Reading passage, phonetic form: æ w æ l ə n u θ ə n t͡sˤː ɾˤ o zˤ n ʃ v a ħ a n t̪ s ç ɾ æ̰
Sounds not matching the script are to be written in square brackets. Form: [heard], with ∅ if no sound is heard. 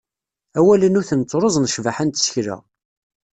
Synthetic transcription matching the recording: æ w æ l ə n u θ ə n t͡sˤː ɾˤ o zˤ n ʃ v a ħ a n t̪ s ç ɾ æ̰